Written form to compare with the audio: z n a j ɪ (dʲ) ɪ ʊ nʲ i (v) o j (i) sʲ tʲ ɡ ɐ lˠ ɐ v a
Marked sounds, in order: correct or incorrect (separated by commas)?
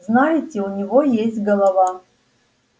incorrect, correct, incorrect